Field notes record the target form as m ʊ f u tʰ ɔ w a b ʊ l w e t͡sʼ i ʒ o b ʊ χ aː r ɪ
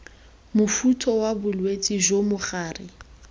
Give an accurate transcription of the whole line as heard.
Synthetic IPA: m ʊ f u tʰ ɔ w a b ʊ l w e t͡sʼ i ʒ o m ʊ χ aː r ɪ